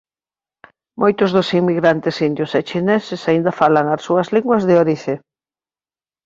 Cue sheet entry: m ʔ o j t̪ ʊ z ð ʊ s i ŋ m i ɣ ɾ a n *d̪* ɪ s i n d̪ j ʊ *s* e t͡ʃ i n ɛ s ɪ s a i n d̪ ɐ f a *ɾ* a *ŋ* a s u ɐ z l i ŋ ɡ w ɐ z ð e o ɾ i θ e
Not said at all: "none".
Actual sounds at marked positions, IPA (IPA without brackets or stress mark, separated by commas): t̪, s, l, ŋ